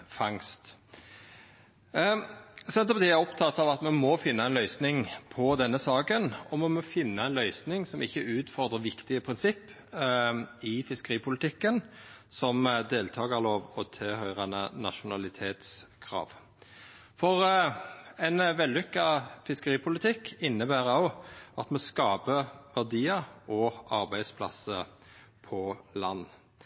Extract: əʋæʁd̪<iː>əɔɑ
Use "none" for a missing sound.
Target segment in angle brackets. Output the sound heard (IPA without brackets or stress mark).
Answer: iː